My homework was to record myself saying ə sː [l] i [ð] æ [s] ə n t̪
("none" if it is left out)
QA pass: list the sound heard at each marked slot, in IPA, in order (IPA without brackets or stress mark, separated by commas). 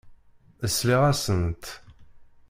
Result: l, ʁ, s